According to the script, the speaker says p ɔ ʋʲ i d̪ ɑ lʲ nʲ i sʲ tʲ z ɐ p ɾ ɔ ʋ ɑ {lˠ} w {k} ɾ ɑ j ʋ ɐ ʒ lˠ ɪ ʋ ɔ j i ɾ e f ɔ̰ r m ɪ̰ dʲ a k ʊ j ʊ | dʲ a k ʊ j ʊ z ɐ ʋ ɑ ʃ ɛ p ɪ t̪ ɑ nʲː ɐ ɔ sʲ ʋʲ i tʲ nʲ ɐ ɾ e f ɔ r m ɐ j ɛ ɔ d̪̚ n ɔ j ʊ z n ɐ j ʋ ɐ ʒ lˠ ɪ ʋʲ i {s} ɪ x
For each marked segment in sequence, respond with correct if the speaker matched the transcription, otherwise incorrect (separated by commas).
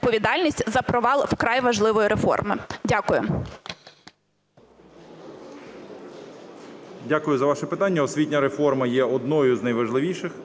correct, correct, incorrect